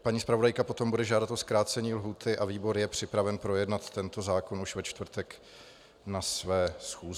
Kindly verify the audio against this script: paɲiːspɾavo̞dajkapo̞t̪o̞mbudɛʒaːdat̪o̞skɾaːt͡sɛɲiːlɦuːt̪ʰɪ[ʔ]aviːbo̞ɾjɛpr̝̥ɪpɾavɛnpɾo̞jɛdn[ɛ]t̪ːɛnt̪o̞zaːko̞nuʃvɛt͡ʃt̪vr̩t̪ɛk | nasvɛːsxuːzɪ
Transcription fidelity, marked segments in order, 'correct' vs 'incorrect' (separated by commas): correct, incorrect